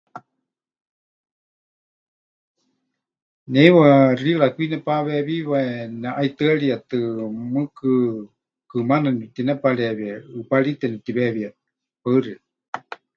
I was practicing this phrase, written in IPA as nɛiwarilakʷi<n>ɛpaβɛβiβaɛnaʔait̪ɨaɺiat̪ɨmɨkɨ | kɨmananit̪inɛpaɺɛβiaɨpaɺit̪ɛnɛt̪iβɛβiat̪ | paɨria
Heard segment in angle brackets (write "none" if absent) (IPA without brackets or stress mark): n